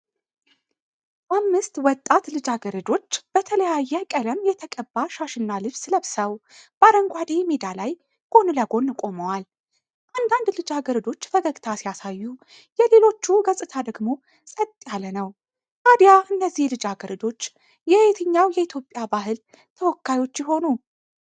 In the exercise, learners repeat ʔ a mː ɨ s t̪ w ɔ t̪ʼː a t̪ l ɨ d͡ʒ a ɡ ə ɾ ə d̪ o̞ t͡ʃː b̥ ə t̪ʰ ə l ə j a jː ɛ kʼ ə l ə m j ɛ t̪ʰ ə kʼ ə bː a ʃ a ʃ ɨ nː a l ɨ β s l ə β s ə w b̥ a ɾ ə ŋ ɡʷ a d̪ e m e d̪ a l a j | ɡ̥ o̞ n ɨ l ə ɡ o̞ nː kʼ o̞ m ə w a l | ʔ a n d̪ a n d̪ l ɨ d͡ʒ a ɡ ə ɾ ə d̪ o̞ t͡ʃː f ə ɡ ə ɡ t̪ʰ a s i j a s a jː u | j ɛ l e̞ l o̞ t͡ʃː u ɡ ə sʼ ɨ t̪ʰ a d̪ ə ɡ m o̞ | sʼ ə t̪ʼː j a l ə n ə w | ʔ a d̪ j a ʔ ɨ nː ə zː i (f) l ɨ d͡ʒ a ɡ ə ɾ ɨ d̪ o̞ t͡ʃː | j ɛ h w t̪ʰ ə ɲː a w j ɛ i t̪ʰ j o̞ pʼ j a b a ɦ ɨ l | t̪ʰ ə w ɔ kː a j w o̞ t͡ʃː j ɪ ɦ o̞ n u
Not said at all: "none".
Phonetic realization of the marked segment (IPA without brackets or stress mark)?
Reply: h